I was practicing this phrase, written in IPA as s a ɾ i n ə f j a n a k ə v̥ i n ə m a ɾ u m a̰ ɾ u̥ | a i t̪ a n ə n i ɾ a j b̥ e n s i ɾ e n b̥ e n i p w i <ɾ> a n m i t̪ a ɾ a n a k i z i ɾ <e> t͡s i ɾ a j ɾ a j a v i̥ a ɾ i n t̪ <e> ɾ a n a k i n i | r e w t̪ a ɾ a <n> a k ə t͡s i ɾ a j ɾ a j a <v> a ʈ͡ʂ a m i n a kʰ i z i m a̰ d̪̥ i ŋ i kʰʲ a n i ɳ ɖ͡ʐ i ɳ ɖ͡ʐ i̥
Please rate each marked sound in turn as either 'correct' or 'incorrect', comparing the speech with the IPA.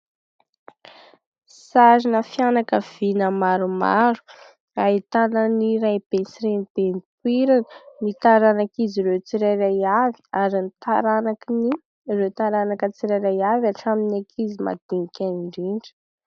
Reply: correct, correct, incorrect: a, correct, correct

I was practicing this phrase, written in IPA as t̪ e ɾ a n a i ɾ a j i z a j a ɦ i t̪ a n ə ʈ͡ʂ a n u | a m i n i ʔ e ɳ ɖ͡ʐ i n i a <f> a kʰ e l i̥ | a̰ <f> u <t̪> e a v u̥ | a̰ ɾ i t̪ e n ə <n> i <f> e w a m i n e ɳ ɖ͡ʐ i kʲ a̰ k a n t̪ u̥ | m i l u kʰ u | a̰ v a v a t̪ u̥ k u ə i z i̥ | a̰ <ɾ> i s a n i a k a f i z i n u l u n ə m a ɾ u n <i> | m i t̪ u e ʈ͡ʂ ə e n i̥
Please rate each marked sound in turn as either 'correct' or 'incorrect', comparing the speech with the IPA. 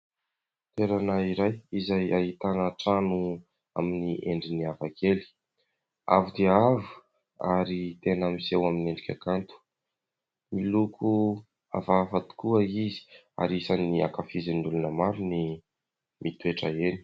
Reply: incorrect: v, incorrect: v, incorrect: d̪, incorrect: m, incorrect: s, correct, correct

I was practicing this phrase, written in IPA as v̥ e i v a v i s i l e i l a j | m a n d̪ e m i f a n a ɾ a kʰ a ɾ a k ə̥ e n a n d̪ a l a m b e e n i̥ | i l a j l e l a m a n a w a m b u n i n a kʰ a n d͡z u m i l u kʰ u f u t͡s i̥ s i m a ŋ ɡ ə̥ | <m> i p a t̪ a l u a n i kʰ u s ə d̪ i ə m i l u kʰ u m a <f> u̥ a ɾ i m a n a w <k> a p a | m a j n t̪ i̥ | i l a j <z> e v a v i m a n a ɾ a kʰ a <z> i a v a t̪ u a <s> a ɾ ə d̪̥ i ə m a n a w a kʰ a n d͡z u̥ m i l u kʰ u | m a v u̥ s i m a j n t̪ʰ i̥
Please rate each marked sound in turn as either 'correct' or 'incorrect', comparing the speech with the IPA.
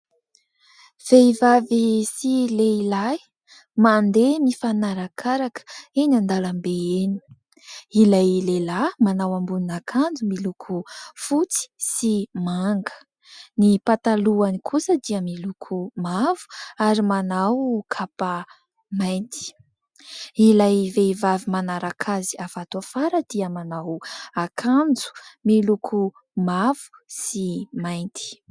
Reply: incorrect: n, incorrect: v, incorrect: kʰ, incorrect: v, correct, incorrect: f

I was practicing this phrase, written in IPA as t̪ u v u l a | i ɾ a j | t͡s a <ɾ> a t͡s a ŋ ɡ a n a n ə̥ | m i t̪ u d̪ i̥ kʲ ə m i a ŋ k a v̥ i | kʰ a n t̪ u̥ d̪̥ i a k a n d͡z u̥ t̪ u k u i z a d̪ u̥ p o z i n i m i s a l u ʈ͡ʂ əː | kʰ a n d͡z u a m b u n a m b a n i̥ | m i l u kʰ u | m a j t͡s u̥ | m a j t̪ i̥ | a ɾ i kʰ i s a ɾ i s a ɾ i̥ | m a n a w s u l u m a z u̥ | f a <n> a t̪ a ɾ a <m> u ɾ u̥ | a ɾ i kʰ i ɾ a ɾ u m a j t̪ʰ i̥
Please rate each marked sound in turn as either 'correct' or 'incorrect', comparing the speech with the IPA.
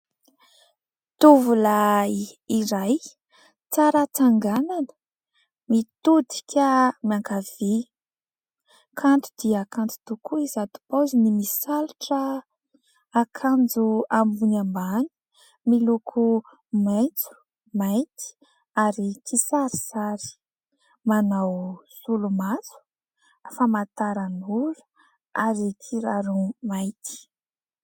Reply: correct, incorrect: m, incorrect: n

